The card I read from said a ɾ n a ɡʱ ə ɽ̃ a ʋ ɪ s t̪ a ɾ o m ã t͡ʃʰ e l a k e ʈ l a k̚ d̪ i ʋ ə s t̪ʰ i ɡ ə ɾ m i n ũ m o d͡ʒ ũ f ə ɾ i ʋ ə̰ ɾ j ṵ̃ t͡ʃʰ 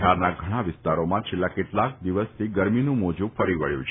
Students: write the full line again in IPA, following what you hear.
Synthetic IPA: a ɾ n a ɡʱ ə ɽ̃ a ʋ ɪ s t̪ a ɾ o m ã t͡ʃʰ e lː a k e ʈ l a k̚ d̪ i ʋ ə s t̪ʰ i ɡ ə ɾ m i n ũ m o d͡ʒ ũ f ə ɾ i ʋ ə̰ ɭ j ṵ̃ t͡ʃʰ

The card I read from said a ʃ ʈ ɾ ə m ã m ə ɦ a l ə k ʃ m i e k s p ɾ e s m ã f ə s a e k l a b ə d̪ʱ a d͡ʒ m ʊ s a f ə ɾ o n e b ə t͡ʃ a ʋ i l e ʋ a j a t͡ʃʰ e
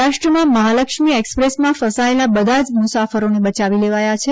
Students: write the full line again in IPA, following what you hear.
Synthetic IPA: a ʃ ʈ ɾ ə m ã m ə ɦ a l ə k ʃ m i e k s p ɾ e s m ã f ə s a e l a b ə d̪ʱ a d͡ʒ m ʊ s a f ə ɾ o n e b ə t͡ʃ a ʋ i l e ʋ a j a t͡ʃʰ e

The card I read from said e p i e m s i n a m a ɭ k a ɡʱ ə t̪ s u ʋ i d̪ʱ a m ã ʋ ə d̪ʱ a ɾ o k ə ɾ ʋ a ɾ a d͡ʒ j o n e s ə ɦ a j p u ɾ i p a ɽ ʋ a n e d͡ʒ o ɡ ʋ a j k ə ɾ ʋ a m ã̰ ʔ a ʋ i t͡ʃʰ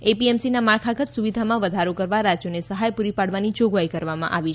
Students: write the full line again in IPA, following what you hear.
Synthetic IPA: e p i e m s i n a m a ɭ kʰ a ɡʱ ə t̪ s u ʋ i d̪ʱ a m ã ʋ ə d̪ʱ a ɾ o k ə ɾ ʋ a ɾ a d͡ʒ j o n e s ə ɦ a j p u ɾ i p a ɽ ʋ a n i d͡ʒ o ɡ ʋ a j k ə ɾ ʋ a m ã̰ ʔ a ʋ i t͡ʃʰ

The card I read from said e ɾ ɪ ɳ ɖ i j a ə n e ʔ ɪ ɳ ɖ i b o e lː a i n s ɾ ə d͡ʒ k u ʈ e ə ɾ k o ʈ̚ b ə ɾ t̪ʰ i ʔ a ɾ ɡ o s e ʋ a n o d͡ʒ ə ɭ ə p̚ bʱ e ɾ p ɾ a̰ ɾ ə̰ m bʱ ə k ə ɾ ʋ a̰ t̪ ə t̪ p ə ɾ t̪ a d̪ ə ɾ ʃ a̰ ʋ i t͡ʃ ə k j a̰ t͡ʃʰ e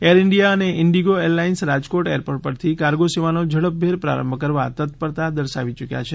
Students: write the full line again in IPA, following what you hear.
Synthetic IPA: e ɾ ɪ ɳ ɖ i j a ə n e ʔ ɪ ɳ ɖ i ɡ o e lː a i n s ɾ a d͡ʒ k o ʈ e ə ɾ p o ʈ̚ p ə ɾ t̪ʰ i k a ɾ ɡ o s e ʋ a n o d͡ʒ ə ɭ ə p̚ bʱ e ɾ p ɾ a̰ ɾ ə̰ m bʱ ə k ə ɾ ʋ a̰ t̪ ə t̪ p ə ɾ t̪ a d̪ ə ɾ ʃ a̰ ʋ i t͡ʃ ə k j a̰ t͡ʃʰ e

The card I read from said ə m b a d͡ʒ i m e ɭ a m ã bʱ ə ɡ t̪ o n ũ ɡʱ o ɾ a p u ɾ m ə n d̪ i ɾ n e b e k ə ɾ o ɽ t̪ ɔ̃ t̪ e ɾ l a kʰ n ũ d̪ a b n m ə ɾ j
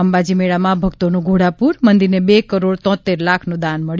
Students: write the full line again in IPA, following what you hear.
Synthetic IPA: ə m b a d͡ʒ i m e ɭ a m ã bʱ ə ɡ t̪ o n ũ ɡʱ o ɽ a p u ɾ m ə n d̪ i ɾ n e b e k ə ɾ o ɽ t̪ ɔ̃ t̪ e ɾ l a kʰ n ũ d̪ a n m ə ɭ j

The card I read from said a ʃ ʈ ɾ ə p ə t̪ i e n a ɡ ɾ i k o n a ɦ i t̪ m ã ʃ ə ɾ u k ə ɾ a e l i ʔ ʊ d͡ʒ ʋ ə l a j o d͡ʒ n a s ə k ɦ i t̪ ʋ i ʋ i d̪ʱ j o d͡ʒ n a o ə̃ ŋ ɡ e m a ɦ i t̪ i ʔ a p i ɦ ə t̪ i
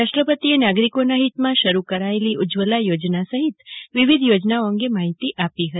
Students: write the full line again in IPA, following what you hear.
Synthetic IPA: a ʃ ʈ ɾ ə p ə t̪ i e n a ɡ ɾ i k o n a ɦ i t̪ m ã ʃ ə ɾ u k ə ɾ a e l i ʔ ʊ d͡ʒ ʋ ə l a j o d͡ʒ n a s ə ɦ i t̪ ʋ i ʋ i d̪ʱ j o d͡ʒ n a o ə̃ ŋ ɡ e m a ɦ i t̪ i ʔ a p i ɦ ə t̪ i

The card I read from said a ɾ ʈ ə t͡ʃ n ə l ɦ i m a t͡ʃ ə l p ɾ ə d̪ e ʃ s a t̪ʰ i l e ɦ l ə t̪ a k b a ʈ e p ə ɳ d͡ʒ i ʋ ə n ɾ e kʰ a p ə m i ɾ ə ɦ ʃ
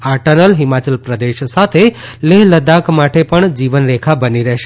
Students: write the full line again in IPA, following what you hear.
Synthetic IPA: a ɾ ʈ ə n ə l ɦ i m a t͡ʃ ə l p ɾ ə d̪ e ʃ s a t̪ʰ e l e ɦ l ə d̪ a k m a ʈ e p ə ɳ d͡ʒ i ʋ ə n ɾ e kʰ a b ə n i ɾ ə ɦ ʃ

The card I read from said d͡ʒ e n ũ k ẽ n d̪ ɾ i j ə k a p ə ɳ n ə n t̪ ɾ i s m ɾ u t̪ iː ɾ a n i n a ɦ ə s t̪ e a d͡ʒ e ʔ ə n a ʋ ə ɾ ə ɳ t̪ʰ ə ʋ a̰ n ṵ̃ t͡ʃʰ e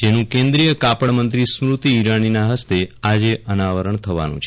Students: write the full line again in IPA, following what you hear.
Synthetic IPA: d͡ʒ e n ũ k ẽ n d̪ ɾ i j ə k a p ə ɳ m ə n t̪ ɾ i s m ɾ u t̪ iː ɾ a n i n a ɦ ə s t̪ e a d͡ʒ e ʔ ə n a ʋ ə ɾ ə ɳ t̪ʰ ə ʋ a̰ n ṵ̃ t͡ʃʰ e

